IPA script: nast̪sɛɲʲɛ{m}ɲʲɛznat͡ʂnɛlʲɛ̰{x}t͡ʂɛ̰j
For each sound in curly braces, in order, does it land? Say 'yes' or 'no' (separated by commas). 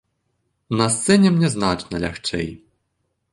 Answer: yes, yes